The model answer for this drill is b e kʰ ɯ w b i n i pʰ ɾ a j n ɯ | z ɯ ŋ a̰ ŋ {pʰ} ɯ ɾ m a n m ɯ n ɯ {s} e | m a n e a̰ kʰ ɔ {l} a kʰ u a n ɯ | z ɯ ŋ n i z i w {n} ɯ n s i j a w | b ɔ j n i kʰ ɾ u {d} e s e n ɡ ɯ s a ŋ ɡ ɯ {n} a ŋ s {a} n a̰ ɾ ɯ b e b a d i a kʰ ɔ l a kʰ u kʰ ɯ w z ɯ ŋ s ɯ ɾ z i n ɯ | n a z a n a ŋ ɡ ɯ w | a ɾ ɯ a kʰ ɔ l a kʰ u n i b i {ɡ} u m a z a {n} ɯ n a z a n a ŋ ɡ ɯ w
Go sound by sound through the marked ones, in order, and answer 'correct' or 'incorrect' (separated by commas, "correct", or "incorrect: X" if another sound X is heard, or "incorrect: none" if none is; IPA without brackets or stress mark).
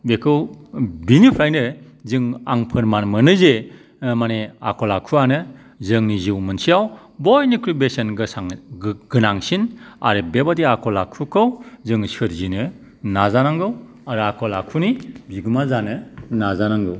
correct, incorrect: z, correct, incorrect: m, incorrect: b, correct, incorrect: i, correct, correct